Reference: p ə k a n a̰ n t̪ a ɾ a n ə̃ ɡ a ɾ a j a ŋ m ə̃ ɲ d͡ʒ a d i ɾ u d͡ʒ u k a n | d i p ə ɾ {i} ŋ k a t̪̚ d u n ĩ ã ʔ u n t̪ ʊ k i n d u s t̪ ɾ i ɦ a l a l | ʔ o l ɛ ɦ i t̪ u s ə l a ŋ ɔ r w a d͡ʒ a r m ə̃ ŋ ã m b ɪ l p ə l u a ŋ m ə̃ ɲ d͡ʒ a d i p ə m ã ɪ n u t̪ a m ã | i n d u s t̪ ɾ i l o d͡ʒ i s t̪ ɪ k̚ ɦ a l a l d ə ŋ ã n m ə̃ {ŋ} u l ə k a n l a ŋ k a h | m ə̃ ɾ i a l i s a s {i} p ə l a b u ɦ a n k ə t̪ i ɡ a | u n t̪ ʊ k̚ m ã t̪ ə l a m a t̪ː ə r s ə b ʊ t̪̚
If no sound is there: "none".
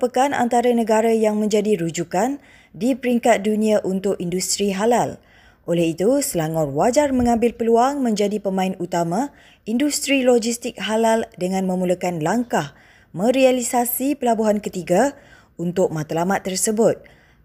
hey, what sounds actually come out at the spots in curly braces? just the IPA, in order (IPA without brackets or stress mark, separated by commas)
i, m, i